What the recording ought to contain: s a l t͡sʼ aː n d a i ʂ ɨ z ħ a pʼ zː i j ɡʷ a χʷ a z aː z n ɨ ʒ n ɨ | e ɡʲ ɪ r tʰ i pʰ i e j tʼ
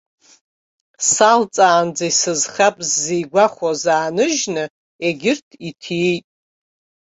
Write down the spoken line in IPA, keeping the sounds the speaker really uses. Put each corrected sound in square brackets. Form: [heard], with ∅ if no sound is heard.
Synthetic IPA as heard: s a l t͡sʼ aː n [d͡z] a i [s] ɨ z [χ] a pʼ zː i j ɡʷ a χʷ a z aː [∅] n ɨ ʒ n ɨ | e ɡʲ ɪ r tʰ i [tʰ] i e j tʼ